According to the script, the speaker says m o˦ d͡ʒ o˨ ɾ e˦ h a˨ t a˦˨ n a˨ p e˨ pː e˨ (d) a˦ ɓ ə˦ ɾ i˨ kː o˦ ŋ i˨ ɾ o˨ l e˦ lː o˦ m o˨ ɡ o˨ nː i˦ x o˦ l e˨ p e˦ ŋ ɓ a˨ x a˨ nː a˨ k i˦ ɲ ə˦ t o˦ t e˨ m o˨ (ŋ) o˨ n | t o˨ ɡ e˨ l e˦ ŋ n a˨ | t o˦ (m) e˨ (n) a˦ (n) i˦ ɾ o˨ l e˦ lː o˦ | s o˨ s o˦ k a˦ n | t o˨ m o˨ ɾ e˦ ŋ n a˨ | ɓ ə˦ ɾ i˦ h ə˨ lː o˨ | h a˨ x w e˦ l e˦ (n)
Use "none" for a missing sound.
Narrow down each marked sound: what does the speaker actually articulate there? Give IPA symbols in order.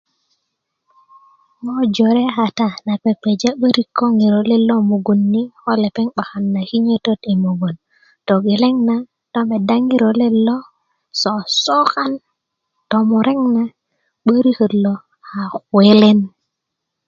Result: d͡ʒ, ɡ, m, d, ŋ, n

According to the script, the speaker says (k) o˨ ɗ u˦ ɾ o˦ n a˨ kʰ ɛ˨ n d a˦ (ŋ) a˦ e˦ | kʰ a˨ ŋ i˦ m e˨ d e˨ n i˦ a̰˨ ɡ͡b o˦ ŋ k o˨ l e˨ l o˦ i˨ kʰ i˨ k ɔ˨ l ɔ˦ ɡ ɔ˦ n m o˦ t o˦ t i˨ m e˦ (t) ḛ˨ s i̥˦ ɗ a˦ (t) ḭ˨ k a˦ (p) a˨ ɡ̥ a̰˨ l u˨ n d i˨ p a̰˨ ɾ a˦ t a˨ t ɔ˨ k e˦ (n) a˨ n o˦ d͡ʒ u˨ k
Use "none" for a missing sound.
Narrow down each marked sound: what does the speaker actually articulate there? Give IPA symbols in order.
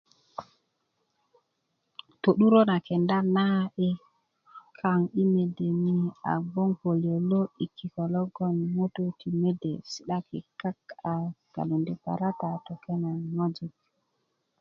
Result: t, n, d, k, k, n

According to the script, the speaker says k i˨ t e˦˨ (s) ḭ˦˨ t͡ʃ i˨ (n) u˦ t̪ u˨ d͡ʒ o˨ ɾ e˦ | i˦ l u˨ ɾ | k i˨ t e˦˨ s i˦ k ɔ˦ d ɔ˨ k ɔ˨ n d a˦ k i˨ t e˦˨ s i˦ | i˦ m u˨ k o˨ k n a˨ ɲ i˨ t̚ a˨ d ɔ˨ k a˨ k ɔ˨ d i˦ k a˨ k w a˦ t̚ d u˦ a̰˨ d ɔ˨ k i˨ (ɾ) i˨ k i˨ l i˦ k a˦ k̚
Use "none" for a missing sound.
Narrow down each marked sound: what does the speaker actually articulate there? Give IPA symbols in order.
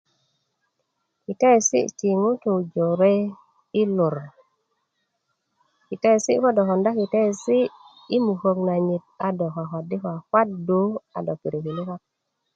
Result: s, ŋ, ɾ

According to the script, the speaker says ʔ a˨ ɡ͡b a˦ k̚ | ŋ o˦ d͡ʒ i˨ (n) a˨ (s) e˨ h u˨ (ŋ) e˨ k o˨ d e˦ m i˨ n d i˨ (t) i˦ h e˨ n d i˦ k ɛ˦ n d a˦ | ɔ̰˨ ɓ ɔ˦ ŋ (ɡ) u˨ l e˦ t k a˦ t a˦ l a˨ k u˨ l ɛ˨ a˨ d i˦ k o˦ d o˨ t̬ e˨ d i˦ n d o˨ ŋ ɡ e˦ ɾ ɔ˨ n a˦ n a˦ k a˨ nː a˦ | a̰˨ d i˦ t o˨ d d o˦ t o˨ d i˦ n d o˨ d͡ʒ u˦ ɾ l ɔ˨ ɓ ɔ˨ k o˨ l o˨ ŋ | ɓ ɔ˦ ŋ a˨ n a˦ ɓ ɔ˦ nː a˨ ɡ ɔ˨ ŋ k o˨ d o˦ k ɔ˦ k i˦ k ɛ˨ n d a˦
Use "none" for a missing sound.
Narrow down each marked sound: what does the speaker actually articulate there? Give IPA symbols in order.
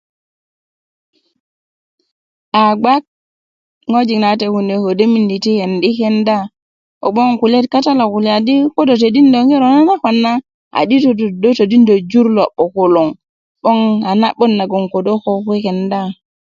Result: n, t, n, t, k

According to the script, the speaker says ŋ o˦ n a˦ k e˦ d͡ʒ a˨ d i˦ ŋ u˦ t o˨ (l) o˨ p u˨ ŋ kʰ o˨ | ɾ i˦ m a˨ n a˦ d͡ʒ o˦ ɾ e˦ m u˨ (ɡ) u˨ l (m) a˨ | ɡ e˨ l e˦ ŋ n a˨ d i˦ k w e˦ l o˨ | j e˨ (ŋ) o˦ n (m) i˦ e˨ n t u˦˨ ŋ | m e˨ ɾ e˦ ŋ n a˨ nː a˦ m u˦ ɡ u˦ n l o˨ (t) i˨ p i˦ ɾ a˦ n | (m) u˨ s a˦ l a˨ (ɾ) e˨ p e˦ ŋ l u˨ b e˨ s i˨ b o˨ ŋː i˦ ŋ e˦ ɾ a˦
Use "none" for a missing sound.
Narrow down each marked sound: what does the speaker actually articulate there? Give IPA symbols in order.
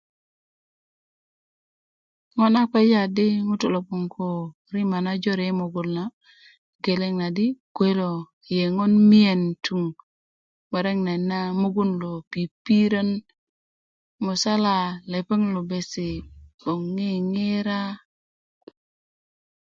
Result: l, ɡ, n, ŋ, m, p, m, l

